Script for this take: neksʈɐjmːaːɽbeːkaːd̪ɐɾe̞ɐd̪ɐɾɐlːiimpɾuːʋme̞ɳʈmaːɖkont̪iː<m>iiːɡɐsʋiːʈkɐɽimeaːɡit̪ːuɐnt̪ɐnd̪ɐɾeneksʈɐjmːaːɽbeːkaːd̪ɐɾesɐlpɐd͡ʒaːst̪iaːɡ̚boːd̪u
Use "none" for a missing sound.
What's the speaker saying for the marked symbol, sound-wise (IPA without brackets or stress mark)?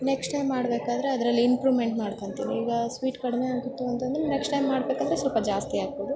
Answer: n